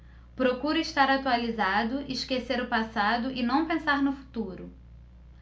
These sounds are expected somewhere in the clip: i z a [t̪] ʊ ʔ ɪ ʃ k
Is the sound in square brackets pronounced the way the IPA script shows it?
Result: no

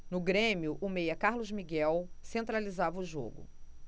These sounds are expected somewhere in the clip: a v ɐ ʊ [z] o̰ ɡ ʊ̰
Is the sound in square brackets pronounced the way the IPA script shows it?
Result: no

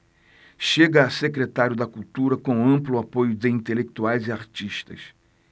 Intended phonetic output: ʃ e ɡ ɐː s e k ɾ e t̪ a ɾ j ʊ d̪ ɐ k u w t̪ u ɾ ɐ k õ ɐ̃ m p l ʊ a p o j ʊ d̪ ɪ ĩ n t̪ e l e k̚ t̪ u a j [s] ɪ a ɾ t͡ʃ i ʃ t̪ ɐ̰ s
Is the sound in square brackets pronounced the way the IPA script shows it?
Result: no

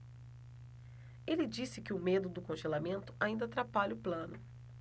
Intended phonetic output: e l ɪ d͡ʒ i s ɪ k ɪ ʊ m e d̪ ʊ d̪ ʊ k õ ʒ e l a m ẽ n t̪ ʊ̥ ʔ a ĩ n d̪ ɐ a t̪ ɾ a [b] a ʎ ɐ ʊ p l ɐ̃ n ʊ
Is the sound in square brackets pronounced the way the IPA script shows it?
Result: no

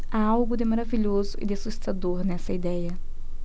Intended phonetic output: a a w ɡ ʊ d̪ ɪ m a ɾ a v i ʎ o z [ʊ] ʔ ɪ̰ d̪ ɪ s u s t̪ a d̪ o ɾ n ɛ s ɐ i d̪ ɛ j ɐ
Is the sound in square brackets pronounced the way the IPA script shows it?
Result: yes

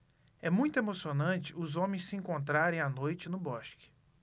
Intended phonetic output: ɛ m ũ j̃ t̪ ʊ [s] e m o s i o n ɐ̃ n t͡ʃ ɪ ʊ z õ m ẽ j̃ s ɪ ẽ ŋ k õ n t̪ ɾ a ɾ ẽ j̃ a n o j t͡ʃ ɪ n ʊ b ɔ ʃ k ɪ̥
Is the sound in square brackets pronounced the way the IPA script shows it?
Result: no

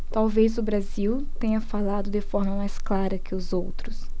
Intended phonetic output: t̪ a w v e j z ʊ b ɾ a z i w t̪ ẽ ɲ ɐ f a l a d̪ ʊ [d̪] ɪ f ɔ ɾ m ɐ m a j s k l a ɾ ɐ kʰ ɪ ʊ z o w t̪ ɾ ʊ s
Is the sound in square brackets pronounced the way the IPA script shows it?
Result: yes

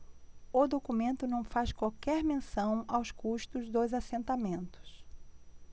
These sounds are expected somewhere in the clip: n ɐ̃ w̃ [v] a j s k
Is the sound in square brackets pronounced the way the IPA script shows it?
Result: no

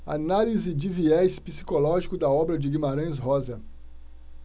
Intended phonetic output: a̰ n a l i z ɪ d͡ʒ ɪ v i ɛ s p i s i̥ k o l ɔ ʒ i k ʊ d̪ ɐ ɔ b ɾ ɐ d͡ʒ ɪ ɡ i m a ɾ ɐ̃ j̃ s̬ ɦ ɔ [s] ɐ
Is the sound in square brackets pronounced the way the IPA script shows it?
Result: no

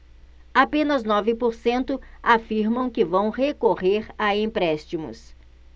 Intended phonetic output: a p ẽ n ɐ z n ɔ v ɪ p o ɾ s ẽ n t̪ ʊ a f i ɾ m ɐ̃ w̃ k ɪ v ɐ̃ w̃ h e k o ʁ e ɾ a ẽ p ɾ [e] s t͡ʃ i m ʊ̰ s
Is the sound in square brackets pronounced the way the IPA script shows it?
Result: no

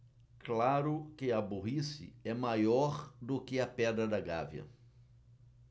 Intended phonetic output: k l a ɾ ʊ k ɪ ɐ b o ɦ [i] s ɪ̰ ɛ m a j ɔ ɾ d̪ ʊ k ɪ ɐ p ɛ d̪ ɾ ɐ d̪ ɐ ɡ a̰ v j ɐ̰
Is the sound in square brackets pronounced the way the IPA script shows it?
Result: yes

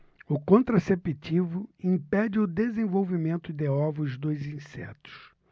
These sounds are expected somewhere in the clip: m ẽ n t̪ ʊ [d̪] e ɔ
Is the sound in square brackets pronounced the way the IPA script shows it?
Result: yes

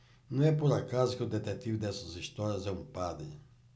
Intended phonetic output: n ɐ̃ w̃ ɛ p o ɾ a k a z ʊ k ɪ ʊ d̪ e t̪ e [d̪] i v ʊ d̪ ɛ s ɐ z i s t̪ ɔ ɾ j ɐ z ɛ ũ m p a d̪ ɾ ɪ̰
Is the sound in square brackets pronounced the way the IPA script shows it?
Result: no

